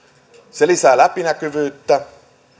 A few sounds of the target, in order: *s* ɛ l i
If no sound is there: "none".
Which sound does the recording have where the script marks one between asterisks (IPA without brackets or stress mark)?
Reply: s